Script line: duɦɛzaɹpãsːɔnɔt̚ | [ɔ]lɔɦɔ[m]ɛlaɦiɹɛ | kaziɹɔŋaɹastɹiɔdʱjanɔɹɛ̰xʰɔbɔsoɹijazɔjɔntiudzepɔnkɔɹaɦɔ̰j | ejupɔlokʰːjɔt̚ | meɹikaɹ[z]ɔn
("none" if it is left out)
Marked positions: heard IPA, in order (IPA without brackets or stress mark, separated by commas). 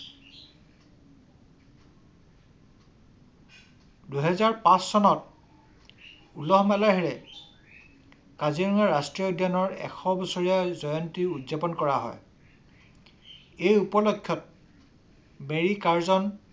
u, m, z